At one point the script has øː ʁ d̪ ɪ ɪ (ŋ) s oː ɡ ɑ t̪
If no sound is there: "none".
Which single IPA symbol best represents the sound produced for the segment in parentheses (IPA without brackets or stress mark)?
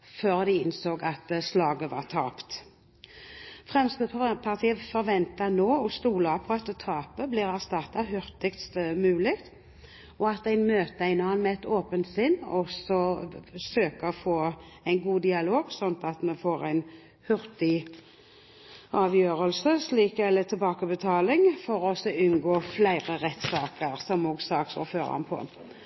n